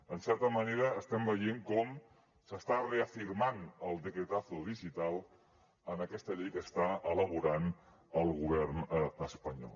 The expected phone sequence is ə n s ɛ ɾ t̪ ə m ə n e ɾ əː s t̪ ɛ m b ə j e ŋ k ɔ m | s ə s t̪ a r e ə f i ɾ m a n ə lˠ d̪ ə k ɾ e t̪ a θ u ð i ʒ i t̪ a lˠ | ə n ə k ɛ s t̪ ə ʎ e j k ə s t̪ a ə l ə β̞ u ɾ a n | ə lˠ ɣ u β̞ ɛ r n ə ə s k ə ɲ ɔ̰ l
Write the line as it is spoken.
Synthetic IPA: ə n s ɛ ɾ t̪ ə m ə n e ɾ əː s t̪ ɛ m b ə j e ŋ k ɔ m | s ə s t̪ a r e ə f i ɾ m a n ə lˠ d̪ ə k ɾ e t̪ a θ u ð i ʒ i t̪ a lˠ | ə n ə k ɛ s t̪ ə ʎ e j k ə s t̪ a ə l ə β̞ u ɾ a n | ə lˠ ɣ u β̞ ɛ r n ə ə s p ə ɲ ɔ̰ l